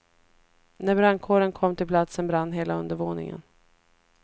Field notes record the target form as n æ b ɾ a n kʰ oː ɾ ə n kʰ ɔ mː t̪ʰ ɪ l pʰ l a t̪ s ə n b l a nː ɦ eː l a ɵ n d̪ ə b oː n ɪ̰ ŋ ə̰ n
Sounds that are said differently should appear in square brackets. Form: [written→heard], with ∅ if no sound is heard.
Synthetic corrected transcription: n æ b ɾ a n kʰ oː ɾ ə n kʰ ɔ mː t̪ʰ ɪ l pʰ l a t̪ s ə n b [l→ɾ] a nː ɦ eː l a ɵ n d̪ ə [b→v] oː n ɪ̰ ŋ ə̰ n